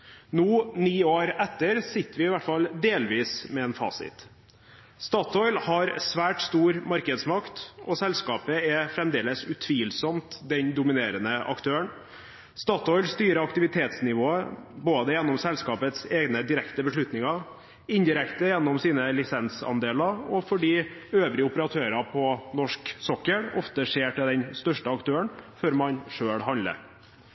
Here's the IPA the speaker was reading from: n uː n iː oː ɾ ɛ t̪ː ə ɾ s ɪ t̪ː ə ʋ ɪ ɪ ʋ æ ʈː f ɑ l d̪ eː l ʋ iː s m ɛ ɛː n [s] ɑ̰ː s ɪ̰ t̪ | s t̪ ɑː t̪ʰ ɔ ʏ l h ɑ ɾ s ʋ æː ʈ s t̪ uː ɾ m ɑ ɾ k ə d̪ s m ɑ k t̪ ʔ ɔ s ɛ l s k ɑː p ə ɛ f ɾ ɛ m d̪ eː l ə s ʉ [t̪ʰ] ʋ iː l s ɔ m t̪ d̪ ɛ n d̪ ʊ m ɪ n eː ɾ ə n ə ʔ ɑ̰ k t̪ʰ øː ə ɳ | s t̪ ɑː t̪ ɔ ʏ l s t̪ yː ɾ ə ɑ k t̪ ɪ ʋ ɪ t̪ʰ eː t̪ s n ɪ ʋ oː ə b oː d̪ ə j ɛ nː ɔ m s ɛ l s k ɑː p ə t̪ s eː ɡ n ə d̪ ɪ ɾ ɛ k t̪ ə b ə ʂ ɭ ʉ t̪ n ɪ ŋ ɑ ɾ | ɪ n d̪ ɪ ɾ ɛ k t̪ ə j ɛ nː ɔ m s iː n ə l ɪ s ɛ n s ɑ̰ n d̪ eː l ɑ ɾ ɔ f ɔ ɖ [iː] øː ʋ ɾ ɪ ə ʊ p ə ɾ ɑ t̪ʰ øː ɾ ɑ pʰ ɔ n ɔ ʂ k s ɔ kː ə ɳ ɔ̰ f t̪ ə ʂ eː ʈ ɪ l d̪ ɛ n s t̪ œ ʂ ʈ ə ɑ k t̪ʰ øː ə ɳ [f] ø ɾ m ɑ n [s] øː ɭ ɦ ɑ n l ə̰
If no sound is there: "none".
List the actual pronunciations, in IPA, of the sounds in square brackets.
f, t̪ʰ, iː, f, ʂ

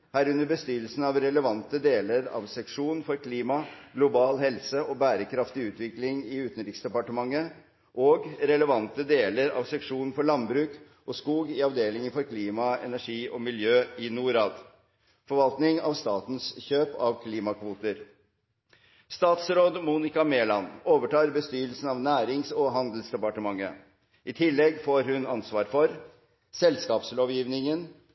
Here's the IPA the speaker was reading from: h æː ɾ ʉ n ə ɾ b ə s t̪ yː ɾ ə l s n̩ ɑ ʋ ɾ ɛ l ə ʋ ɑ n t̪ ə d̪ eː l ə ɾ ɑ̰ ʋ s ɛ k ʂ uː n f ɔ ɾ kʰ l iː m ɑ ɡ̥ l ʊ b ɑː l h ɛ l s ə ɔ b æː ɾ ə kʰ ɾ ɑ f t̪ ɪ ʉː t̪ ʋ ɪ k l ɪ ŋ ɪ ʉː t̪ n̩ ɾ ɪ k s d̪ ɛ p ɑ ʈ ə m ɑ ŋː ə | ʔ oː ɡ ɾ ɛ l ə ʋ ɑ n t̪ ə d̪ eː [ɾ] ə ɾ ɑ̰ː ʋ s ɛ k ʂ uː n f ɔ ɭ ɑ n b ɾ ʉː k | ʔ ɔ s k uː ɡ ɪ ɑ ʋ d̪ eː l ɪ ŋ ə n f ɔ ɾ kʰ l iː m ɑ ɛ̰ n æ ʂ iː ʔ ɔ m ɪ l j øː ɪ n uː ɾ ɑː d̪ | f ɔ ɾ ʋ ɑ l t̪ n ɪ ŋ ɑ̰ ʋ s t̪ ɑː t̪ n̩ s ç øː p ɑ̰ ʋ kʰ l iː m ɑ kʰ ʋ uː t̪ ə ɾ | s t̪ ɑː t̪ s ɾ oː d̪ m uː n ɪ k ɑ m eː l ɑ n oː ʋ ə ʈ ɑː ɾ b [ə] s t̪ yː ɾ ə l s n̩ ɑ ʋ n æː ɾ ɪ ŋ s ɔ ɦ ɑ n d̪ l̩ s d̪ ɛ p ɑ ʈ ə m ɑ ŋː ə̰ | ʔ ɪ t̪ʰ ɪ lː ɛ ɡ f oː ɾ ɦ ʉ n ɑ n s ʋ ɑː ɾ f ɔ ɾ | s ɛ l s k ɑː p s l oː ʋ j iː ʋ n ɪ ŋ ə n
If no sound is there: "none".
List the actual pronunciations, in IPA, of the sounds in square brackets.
l, ə

